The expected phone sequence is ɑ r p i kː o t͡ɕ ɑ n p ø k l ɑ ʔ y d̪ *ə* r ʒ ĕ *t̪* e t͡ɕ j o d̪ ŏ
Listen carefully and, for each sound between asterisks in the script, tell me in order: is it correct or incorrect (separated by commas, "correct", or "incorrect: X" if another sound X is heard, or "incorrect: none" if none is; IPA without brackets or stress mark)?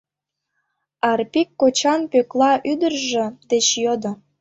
correct, incorrect: d̪